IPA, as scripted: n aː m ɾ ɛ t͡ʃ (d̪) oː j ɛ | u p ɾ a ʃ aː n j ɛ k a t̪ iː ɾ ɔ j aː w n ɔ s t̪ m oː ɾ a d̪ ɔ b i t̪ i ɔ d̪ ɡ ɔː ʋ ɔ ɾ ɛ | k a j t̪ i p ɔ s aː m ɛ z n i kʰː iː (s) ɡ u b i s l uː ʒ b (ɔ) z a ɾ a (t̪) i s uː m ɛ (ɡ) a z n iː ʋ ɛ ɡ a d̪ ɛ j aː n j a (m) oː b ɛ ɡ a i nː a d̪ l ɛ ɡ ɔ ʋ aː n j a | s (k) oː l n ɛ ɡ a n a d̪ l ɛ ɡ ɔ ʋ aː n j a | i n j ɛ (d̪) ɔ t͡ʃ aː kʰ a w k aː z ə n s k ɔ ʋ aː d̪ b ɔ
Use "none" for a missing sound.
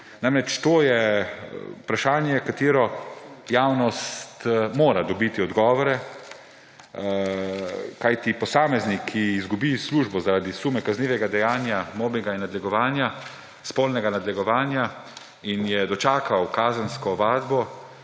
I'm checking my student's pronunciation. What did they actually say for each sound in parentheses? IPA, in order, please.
t̪, z, ɔ, d̪, k, m, p, d̪

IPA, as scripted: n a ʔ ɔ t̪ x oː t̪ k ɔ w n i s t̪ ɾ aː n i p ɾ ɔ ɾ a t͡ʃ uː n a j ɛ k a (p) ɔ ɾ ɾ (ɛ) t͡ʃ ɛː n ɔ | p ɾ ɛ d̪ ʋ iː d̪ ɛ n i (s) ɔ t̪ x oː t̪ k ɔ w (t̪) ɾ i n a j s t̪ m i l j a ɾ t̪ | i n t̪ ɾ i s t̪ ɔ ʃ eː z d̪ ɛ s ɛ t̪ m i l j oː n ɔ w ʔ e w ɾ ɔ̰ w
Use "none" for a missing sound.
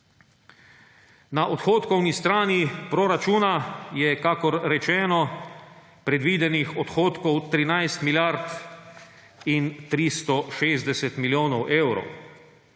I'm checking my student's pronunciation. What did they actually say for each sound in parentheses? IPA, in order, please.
k, ɛ, x, t̪

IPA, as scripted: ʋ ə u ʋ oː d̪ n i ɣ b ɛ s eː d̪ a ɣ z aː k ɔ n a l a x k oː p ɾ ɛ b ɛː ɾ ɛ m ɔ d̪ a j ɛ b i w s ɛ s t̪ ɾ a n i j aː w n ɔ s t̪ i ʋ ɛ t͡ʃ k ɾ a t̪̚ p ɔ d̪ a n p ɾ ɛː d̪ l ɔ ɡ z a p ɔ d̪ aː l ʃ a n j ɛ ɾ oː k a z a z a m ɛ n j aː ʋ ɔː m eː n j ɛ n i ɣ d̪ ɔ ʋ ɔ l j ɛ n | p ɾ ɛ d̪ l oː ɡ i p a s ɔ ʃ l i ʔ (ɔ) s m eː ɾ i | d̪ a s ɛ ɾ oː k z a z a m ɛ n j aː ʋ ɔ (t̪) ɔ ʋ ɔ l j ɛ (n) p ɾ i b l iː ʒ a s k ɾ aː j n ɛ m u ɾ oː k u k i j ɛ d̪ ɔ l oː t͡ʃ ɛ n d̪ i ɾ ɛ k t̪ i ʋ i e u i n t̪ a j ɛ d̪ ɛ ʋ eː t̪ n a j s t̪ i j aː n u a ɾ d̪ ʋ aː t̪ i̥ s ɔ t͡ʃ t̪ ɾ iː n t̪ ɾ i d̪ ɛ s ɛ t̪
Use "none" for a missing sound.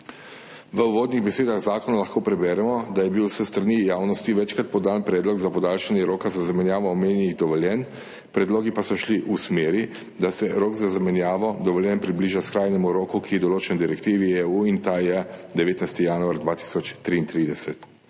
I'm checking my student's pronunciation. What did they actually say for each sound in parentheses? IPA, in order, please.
u, d̪, n

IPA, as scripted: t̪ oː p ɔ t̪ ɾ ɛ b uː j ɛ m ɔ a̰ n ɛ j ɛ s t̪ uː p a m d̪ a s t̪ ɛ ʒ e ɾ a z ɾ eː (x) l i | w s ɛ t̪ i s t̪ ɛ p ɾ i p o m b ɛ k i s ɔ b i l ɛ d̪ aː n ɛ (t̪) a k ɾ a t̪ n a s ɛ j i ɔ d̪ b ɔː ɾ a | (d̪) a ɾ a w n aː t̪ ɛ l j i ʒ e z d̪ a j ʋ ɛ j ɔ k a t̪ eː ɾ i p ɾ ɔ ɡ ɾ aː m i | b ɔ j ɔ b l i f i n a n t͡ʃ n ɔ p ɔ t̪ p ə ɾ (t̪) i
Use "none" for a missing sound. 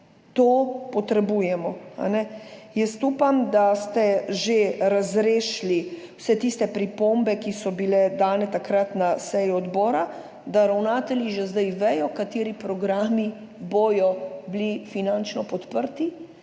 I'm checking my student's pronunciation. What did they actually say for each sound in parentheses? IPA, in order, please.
ʃ, t̪, d̪, t̪

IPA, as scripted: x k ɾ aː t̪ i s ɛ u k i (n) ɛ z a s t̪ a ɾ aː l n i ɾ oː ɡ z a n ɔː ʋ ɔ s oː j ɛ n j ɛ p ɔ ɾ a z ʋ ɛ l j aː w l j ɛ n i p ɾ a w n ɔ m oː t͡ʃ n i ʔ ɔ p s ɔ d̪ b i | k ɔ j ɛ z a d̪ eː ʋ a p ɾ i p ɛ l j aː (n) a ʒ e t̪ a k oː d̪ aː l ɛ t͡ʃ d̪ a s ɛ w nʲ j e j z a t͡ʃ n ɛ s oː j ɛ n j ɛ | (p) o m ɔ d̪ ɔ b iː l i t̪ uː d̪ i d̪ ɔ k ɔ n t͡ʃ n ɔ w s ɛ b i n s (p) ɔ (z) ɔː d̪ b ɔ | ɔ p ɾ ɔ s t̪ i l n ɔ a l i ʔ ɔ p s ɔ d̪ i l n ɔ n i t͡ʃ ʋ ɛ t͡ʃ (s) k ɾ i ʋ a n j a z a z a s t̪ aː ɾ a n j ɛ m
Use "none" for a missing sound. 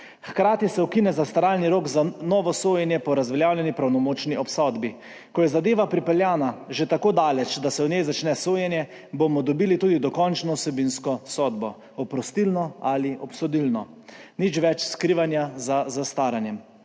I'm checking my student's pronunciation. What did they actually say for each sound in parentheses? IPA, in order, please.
n, n, b, k, s, s

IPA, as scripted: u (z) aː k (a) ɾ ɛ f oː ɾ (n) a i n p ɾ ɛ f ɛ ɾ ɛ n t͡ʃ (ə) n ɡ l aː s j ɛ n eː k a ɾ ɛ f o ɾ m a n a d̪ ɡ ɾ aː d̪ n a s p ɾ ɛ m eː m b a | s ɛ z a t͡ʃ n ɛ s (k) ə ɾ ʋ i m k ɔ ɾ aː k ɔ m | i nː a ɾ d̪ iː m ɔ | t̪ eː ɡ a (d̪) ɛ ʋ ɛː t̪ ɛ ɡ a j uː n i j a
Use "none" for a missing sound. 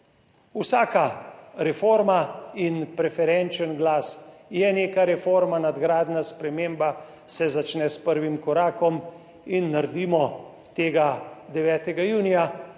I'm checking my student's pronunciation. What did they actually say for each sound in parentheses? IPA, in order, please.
s, a, m, ə, p, d̪

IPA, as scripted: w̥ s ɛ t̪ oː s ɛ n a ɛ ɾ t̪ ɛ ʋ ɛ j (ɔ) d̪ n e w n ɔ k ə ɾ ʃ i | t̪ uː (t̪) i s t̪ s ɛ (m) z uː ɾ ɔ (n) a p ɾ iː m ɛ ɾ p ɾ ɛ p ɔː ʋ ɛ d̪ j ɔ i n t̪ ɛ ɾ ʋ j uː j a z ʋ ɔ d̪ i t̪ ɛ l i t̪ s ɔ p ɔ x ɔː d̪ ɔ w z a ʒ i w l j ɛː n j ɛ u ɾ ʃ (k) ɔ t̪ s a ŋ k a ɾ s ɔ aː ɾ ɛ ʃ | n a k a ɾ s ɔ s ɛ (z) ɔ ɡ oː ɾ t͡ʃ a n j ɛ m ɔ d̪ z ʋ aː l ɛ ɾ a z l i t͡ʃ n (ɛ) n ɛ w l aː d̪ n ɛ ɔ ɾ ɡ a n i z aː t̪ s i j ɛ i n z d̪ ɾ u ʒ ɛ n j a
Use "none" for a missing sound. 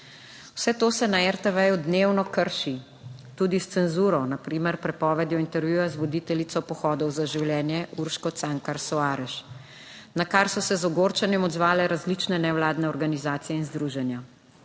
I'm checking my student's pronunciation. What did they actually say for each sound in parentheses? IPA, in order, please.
u, d̪, n, n, k, z, ɛ

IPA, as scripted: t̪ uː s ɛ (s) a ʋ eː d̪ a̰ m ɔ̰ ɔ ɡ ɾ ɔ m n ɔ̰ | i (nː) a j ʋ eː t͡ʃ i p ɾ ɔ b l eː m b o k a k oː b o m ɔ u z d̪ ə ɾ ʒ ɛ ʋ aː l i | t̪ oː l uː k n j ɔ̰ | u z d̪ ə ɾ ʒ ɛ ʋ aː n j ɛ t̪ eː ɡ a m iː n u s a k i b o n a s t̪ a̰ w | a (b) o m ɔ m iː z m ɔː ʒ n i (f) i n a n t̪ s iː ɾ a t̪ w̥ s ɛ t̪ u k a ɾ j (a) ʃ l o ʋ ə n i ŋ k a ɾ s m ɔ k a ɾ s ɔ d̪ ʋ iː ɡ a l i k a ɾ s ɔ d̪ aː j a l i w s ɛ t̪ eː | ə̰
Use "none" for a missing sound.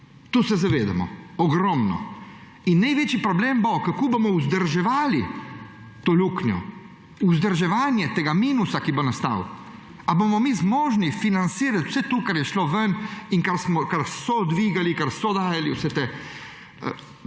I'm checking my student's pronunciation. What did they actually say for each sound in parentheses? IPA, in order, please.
z, nː, b, f, ɛ

